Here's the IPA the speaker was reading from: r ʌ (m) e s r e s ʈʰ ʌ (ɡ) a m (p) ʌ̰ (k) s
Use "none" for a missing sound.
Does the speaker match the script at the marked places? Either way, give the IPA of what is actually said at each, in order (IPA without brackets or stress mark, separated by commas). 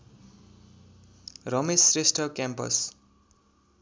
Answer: m, k, p, none